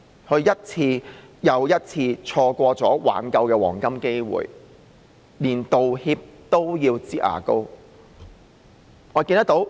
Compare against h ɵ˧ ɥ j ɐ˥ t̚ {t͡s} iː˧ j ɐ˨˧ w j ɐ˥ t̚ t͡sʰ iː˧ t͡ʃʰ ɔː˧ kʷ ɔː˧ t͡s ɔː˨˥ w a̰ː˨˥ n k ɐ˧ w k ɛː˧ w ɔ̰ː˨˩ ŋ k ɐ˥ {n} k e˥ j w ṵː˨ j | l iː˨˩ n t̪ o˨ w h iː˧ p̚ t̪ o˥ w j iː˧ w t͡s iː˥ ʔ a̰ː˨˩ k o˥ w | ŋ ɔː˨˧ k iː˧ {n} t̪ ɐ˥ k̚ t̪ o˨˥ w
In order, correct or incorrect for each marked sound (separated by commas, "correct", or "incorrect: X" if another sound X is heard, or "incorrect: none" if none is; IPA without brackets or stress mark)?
incorrect: t͡sʰ, incorrect: m, correct